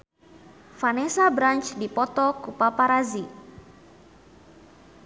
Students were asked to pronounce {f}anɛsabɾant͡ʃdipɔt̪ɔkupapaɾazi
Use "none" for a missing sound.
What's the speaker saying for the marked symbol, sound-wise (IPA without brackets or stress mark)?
f